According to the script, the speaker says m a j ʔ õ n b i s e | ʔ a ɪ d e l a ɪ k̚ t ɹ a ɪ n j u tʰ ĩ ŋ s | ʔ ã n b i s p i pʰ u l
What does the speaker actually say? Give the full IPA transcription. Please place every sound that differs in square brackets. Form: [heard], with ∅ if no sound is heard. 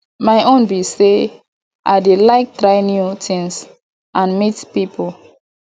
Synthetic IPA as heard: m a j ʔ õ n b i s e | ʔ a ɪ d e l a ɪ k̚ t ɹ a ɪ n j u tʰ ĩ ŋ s | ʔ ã n [m] i [t] p i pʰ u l

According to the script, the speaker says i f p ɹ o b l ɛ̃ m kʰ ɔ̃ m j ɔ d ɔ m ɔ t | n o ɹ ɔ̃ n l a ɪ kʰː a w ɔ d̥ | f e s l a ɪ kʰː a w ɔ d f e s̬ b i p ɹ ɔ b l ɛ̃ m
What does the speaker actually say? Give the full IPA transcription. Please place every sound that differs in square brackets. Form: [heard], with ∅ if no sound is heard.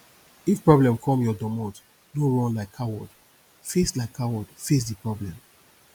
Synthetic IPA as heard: i f p ɹ [ɔ] b l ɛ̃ m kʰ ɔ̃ m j ɔ d ɔ m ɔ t | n o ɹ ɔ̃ n l a ɪ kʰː a w ɔ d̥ | f e s l a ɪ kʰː a w ɔ d f e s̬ [d] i p ɹ ɔ b l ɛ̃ m

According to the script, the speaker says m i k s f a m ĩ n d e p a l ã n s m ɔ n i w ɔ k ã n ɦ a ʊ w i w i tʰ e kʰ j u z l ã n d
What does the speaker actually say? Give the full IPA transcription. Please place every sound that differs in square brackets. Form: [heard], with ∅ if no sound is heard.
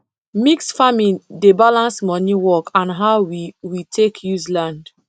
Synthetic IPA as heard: m i k s f a m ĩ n d e [b] a l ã n s m ɔ n i w ɔ k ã n ɦ a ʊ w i w i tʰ e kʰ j u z l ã n d

